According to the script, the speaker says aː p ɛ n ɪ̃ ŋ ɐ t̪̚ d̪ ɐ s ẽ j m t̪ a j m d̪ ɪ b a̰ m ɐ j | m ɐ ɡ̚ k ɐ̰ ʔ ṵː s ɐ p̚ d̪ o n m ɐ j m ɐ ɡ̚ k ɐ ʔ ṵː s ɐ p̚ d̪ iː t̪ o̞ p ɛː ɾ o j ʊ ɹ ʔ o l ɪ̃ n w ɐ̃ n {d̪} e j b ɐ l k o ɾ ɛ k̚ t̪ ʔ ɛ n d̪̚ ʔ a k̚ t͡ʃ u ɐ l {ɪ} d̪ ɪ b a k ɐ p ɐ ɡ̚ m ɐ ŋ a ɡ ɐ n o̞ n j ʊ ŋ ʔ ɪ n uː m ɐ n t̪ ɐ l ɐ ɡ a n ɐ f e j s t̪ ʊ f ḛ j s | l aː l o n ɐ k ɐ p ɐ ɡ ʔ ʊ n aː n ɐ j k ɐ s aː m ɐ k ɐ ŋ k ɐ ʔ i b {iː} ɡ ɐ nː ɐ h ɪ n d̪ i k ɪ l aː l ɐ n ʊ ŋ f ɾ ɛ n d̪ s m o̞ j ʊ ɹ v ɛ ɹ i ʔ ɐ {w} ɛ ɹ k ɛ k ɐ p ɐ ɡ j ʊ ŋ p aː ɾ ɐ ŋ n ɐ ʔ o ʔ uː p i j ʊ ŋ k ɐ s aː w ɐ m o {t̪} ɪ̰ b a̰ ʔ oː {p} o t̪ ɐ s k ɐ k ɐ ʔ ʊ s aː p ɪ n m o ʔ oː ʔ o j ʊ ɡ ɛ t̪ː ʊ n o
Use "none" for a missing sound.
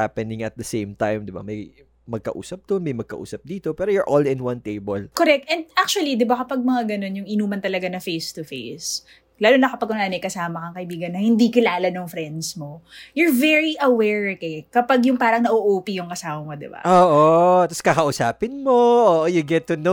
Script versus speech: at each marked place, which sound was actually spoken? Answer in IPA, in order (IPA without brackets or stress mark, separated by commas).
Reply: t̪, i, iː, w, d̪, ʔ